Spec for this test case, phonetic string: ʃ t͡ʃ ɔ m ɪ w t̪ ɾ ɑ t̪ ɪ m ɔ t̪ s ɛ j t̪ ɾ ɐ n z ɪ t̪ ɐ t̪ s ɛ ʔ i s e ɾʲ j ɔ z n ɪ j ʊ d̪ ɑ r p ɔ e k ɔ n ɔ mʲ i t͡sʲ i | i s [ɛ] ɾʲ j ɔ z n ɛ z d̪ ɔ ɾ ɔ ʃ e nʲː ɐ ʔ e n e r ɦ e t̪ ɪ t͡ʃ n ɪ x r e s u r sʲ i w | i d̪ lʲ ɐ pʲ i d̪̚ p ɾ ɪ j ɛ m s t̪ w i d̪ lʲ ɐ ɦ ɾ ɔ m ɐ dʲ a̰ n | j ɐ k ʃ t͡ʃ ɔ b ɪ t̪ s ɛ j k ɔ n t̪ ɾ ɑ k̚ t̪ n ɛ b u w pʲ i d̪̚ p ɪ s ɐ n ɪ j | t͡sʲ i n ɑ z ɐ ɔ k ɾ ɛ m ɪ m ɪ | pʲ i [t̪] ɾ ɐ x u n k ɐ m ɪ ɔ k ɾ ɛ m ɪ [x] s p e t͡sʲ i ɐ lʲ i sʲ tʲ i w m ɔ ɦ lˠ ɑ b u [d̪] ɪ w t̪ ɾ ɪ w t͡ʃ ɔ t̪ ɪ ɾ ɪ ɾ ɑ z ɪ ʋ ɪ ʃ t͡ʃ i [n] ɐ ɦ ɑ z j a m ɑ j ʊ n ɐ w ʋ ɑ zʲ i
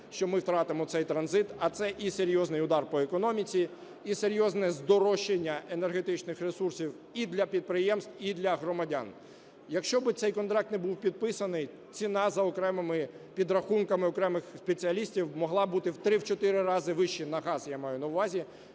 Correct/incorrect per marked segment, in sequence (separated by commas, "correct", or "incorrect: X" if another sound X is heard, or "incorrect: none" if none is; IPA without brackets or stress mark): incorrect: e, incorrect: d̪, correct, incorrect: t̪, correct